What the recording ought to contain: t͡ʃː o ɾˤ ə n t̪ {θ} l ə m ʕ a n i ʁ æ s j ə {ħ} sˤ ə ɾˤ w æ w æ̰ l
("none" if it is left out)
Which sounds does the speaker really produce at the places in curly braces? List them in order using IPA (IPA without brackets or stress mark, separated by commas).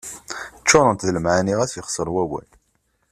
ð, χ